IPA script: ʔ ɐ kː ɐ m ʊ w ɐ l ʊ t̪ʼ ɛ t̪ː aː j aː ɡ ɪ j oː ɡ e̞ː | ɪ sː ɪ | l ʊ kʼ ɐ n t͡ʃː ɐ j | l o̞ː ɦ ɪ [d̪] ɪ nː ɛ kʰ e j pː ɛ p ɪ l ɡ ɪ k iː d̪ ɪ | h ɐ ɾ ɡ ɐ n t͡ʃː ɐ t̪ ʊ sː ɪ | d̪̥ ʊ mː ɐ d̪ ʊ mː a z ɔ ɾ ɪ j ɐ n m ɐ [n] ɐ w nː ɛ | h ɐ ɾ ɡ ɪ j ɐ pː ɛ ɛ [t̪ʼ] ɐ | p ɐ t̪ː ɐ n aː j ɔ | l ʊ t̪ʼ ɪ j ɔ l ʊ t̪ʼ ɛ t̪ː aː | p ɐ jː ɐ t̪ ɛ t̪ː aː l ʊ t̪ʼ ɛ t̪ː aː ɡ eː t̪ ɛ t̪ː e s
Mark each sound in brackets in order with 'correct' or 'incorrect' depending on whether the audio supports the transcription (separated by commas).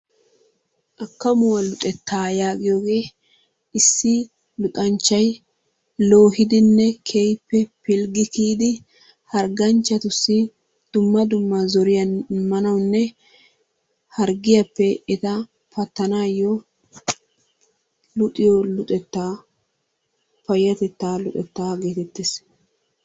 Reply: correct, correct, incorrect